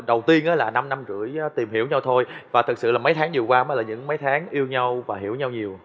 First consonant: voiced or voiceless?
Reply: voiced